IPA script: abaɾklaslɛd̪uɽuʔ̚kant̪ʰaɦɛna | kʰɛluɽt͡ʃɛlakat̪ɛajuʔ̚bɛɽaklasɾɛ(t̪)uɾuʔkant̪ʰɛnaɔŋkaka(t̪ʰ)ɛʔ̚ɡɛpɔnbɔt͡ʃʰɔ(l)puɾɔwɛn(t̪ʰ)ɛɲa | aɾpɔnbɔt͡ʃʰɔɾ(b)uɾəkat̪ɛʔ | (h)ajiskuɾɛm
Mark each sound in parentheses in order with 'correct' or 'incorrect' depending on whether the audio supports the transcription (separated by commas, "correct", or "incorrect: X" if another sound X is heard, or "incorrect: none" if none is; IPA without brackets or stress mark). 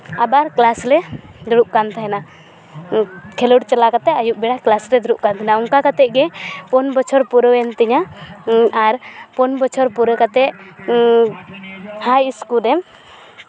incorrect: d̪, incorrect: t̪, incorrect: ɾ, incorrect: t̪, incorrect: p, correct